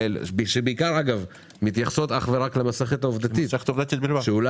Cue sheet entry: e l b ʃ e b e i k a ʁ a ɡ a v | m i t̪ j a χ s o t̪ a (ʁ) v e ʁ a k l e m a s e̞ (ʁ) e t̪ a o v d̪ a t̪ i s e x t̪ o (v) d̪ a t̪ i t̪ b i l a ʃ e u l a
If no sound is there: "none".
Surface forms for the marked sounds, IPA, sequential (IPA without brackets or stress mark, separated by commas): χ, χ, v